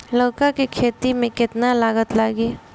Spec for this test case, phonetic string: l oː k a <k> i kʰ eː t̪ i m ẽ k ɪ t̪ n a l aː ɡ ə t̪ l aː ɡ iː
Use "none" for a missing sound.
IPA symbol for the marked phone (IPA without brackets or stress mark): k